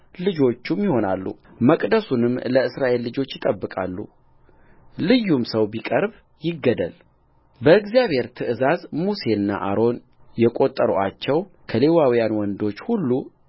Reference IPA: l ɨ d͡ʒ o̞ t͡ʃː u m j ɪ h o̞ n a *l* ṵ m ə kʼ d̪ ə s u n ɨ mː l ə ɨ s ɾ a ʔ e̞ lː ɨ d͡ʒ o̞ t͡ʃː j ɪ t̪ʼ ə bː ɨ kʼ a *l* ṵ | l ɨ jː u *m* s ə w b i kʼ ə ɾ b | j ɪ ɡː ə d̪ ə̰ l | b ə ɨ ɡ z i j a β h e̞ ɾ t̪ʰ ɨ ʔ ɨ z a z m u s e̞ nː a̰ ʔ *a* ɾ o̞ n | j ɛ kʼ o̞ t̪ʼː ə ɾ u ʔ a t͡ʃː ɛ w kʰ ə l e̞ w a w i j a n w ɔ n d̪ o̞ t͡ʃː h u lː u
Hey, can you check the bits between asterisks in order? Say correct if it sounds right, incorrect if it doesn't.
incorrect, incorrect, correct, correct

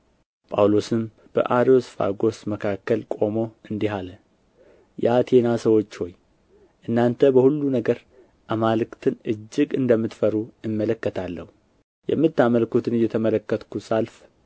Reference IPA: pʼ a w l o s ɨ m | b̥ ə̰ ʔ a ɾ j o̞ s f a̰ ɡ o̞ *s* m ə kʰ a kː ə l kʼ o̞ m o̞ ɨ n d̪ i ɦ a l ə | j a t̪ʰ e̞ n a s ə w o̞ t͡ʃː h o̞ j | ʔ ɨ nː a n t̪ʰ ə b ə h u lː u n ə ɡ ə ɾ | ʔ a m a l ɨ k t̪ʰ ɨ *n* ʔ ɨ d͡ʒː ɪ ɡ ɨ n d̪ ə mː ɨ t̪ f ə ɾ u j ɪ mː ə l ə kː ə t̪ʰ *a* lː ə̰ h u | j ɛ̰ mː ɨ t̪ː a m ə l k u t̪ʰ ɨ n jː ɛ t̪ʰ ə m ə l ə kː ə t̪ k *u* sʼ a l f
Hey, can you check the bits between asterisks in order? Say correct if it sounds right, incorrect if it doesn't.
correct, correct, correct, correct

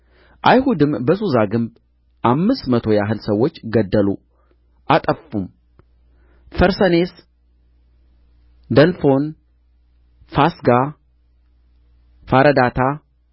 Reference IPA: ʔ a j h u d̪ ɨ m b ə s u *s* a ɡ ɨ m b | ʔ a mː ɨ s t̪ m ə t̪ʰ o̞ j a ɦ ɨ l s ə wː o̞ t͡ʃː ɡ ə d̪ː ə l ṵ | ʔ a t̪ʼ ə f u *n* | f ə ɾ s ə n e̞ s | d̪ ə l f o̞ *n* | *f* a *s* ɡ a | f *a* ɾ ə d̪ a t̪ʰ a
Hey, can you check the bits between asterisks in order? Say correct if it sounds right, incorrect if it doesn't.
incorrect, incorrect, correct, correct, correct, correct

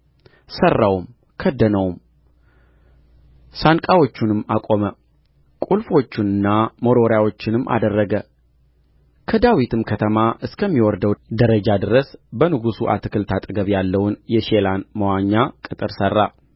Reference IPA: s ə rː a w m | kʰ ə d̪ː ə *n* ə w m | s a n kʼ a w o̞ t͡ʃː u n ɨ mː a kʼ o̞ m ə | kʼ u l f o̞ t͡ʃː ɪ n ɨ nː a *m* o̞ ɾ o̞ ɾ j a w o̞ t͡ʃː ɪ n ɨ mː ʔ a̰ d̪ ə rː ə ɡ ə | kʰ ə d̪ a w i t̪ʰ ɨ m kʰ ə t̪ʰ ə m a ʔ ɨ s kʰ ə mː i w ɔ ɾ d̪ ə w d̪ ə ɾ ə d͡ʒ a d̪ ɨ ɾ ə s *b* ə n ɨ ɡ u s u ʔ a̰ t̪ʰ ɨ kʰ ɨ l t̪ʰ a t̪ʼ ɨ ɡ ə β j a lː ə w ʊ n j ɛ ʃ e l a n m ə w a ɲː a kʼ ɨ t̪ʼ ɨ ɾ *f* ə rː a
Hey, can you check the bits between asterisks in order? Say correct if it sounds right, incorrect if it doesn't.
correct, correct, correct, incorrect

